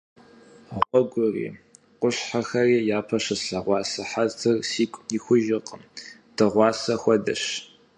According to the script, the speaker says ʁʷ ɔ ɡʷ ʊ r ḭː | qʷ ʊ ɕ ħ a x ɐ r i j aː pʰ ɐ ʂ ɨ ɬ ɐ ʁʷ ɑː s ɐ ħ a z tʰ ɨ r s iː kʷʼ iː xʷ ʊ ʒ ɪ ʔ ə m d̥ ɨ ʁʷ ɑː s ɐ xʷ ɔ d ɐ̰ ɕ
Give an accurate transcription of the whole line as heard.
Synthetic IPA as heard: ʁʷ ɔ ɡʷ ʊ r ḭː | qʷ ʊ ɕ ħ a x ɐ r iː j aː pʰ ɐ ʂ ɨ ɬ ɐ ʁʷ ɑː s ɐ ħ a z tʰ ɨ r s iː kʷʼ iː xʷ ʊ ʒ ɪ q ə m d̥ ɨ ʁʷ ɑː s ɐ xʷ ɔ d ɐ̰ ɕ